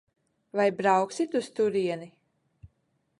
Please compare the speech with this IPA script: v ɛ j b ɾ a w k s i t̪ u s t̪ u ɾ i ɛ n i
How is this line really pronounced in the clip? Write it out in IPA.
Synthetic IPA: v a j b ɾ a w k s i t̪ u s t̪ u ɾ i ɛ n i